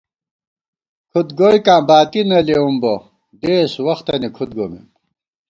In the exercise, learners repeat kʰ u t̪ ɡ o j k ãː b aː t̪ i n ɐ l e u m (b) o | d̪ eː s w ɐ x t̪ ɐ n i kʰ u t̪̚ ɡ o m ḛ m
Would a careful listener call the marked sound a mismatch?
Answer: no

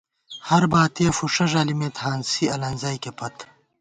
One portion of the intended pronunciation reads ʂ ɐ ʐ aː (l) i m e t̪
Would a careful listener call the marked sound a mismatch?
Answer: no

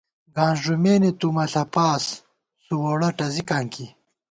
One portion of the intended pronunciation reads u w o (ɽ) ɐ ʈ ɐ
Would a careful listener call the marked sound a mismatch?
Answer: no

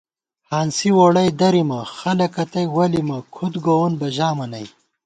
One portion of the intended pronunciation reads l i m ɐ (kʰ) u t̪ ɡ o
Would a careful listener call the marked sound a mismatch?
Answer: no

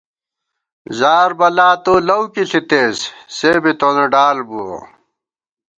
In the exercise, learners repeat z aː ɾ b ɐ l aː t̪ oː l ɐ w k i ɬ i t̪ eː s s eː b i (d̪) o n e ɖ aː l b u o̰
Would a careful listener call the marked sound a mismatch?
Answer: yes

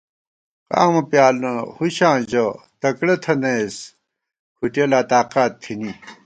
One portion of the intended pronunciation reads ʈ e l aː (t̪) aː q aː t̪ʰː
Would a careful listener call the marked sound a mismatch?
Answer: no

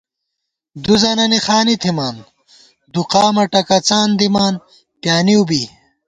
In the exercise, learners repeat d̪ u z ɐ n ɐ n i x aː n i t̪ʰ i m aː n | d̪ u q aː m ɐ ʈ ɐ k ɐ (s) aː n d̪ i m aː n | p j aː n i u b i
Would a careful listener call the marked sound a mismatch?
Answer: yes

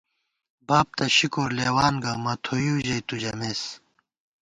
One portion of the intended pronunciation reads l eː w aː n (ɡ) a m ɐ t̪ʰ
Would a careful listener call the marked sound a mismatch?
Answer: no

